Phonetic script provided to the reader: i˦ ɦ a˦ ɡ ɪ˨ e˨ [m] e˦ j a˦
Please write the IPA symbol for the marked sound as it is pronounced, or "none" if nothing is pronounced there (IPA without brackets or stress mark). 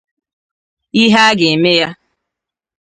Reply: m